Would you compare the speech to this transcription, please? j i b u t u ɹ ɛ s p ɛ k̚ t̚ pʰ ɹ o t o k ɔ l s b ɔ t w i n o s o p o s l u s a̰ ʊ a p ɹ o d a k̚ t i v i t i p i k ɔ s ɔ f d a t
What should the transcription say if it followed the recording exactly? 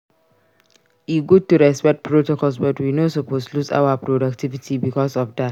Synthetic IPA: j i ɡ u t u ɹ ɛ s p ɛ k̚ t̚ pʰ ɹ o t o k ɔ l s b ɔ t w i n o s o p o s l u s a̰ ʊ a p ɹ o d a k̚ t i v i t i b i k ɔ s ɔ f d a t